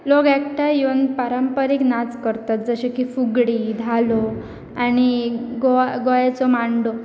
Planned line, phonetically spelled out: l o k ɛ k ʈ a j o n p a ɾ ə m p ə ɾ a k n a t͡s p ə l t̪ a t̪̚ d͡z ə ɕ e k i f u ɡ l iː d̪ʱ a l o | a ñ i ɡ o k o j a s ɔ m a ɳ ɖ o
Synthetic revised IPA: l o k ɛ k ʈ a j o n p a ɾ ə m p ə ɾ i k n a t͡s k ə ɾ t̪ a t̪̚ d͡z ə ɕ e k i f u ɡ ɽ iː d̪ʱ a l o | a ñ i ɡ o ɡ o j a t͡s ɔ m a ɳ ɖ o

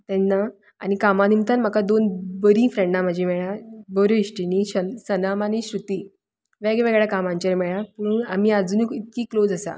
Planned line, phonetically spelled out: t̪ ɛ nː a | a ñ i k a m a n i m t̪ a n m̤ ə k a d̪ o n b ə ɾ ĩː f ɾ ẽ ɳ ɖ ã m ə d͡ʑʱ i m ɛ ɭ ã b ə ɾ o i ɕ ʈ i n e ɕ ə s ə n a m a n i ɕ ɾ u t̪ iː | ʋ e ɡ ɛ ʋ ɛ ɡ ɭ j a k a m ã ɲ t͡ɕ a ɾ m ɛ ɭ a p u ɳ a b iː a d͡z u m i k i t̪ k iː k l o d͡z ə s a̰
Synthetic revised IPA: t̪ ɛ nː a | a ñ i k a m a n i m t̪ a n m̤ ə k a d̪ o n b ə ɾ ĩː f ɾ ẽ ɳ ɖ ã m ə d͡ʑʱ i m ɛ ɭ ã b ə ɾ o i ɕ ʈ i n i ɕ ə s ə n a m a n i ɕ ɾ u t̪ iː | ʋ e ɡ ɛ ʋ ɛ ɡ ɭ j a k a m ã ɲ t͡ɕ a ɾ m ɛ ɭ a p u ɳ a m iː a d͡z u n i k i t̪ k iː k l o d͡z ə s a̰

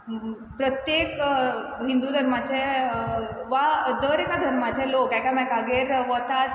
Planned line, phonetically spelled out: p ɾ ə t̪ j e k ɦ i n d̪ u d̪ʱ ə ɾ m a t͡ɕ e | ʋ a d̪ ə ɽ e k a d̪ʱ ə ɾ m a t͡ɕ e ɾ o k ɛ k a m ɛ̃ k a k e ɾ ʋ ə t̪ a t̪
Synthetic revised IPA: p ɾ ə t̪ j e k ɦ i n d̪ u d̪ʱ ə ɾ m a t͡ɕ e | ʋ a d̪ ə ɾ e k a d̪ʱ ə ɾ m a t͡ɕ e l o k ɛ k a m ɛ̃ k a ɡ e ɾ ʋ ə t̪ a t̪

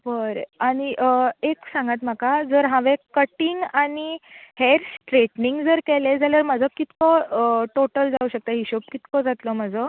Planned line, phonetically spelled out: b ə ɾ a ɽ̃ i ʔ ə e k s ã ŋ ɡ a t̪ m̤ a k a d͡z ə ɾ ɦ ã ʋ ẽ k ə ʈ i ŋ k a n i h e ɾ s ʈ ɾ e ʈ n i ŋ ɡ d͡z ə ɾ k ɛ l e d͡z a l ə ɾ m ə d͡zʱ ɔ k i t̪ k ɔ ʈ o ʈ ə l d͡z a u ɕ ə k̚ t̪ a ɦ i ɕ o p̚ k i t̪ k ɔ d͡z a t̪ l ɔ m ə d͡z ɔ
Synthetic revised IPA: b ə ɾ a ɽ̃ i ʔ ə e k s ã ŋ ɡ a t̪ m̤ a k a d͡z ə ɾ ɦ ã ʋ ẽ k ə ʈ i ŋ ɡ a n i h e ɾ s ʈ ɾ e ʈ n i ŋ ɡ d͡z ə ɾ k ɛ l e d͡z a l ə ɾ m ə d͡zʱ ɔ k i t̪ k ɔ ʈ o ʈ ə l d͡z a u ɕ ə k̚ t̪ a ɦ i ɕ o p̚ k i t̪ k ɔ d͡z a t̪ l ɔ m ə d͡z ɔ

